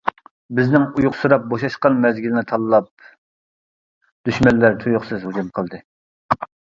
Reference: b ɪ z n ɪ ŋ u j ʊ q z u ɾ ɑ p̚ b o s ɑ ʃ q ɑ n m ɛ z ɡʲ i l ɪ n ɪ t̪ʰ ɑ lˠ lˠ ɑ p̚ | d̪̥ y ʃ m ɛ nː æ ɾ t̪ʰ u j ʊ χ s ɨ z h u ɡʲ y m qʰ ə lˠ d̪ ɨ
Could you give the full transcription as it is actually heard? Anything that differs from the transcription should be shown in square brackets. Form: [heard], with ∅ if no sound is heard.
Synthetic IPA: b ɪ z n ɪ ŋ u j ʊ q [s] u ɾ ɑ p̚ b o [ʃ] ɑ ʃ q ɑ n m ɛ z ɡʲ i l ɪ n ɪ t̪ʰ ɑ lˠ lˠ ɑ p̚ | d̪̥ y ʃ m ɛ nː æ ɾ t̪ʰ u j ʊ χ s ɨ z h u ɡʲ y m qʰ ə lˠ d̪ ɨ